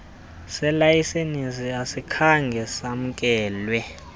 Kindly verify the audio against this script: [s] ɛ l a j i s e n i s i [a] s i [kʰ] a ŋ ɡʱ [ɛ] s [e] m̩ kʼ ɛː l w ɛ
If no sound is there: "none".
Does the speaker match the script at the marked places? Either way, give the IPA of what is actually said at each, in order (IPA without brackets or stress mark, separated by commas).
s, a, kʰ, ɛ, a